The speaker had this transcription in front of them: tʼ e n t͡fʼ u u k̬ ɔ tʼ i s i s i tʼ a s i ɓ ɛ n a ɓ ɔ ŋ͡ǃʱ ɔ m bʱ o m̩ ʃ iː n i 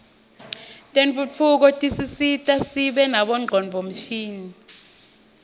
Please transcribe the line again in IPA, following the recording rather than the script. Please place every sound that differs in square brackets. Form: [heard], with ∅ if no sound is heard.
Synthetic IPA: tʼ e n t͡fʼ u u k̬ ɔ tʼ i s i s i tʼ a s i ɓ ɛ n a ɓ ɔ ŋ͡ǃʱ ɔ [n] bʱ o m̩ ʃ iː n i